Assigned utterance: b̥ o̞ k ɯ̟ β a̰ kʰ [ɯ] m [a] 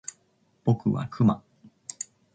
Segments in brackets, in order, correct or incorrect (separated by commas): correct, correct